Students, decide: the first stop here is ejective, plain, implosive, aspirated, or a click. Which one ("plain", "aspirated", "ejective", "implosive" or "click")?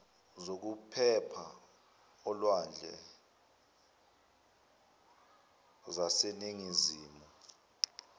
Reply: plain